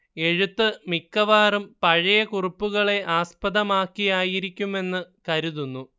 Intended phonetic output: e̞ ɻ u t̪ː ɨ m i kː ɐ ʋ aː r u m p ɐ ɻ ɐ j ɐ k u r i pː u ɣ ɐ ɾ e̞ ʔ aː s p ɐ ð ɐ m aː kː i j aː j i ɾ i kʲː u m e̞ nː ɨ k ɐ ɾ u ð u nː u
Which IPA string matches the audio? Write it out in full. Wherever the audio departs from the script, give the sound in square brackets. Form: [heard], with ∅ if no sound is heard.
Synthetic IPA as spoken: e̞ ɻ u t̪ː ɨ m i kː ɐ ʋ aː r u m p ɐ ɻ ɐ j ɐ k u r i pː u ɣ ɐ [ɭ] e̞ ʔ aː s p ɐ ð ɐ m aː kː i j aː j i ɾ i kʲː u m e̞ nː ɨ k ɐ ɾ u ð u nː u